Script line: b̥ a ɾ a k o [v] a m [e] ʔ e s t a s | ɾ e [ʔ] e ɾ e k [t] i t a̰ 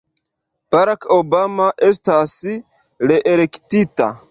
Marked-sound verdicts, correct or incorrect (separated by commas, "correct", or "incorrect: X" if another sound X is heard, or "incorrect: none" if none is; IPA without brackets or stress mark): incorrect: b, incorrect: a, correct, correct